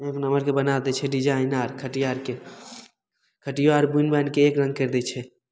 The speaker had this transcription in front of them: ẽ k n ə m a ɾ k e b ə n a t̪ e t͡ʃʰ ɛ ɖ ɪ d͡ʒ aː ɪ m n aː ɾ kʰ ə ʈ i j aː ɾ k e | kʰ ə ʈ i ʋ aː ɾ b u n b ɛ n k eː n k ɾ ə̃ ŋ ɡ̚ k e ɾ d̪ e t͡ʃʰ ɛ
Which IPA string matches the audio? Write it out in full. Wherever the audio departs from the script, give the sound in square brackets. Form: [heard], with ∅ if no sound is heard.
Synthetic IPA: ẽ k n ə m [ə] ɾ k e b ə n a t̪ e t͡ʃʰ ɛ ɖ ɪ d͡ʒ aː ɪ [∅] n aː ɾ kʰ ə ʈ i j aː ɾ k e | kʰ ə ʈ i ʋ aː ɾ b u n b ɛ n k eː [∅] k ɾ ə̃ ŋ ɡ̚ k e ɾ d̪ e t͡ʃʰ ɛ